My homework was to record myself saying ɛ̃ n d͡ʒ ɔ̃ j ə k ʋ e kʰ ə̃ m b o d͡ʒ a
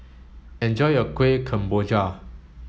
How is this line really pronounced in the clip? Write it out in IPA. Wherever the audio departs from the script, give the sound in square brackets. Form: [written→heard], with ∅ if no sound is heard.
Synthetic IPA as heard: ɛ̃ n d͡ʒ [ɔ̃→ɔ] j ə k [ʋ→w] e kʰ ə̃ m b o d͡ʒ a